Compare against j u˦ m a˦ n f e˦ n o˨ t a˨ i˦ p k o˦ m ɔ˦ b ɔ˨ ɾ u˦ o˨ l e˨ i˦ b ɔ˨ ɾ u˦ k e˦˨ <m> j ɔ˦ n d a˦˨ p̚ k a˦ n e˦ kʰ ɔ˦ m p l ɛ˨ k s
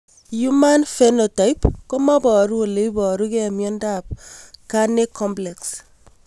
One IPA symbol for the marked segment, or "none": m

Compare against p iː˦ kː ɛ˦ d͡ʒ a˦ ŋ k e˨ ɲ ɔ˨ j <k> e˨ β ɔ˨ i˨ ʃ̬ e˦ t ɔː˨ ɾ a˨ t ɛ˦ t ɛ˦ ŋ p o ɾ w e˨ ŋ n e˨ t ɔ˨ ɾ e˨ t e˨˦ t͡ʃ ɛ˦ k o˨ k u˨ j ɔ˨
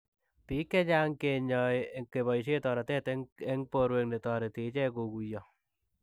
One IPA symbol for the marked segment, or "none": k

